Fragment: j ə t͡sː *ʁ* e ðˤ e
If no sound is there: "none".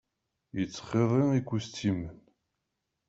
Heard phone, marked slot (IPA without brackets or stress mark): χ